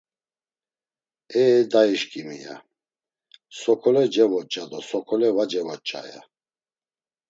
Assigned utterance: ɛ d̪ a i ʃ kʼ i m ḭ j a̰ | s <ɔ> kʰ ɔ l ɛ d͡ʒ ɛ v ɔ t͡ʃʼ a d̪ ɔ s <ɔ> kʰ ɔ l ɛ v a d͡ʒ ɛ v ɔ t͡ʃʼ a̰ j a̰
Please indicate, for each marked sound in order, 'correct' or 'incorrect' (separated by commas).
correct, correct